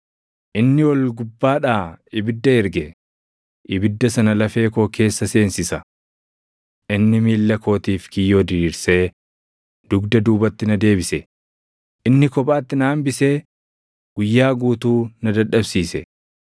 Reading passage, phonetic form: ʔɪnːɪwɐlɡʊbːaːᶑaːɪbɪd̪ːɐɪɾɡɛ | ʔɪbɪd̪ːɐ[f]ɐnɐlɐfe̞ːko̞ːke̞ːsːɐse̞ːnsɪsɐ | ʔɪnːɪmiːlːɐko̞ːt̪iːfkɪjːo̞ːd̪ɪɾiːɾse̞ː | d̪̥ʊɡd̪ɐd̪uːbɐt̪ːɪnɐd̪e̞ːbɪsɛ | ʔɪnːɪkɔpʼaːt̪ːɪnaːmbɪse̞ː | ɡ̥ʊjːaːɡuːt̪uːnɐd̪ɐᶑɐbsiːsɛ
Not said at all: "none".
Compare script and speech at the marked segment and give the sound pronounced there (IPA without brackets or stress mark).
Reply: s